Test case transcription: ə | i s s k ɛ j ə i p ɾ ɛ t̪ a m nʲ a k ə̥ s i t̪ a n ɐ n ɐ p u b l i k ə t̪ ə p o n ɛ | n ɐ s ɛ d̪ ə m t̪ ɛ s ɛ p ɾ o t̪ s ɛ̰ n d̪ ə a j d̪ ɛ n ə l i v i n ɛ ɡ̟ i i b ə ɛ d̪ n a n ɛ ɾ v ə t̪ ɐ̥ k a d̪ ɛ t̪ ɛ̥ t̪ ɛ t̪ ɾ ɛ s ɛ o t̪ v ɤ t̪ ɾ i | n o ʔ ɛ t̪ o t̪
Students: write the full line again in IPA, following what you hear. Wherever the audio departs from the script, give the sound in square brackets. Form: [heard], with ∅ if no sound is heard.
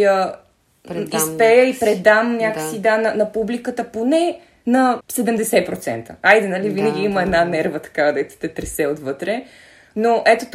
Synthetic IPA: ə | i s s [p] ɛ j ə i p ɾ ɛ [d̪] a m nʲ a k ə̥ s i [d̪] a n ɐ n ɐ p u b l i k ə t̪ ə p o n ɛ | n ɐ s ɛ d̪ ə m [d̪] ɛ s ɛ p ɾ o t̪ s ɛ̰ n [t̪] ə a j d̪ ɛ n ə l i v i n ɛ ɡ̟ i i [m] ə ɛ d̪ n a n ɛ ɾ v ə t̪ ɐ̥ k a d̪ ɛ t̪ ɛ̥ t̪ ɛ t̪ ɾ ɛ s ɛ o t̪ v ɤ t̪ ɾ [ɛ] | n o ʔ ɛ t̪ o t̪